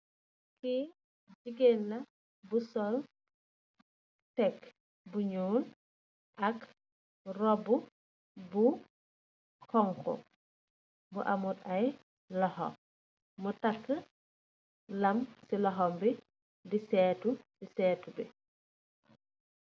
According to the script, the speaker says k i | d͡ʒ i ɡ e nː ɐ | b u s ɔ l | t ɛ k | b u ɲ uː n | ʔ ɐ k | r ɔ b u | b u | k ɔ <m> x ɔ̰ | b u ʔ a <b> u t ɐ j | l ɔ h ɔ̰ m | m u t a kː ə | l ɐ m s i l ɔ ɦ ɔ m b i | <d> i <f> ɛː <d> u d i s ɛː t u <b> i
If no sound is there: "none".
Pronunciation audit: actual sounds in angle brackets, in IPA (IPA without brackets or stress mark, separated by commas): ŋ, m, d, s, t, b